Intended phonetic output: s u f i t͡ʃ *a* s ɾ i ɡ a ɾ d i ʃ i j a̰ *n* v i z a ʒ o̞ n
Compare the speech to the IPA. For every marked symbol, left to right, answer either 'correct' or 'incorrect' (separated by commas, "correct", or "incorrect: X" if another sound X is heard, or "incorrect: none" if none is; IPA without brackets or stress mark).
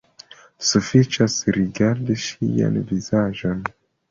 correct, correct